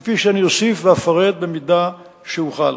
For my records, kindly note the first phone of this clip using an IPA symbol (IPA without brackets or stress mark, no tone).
f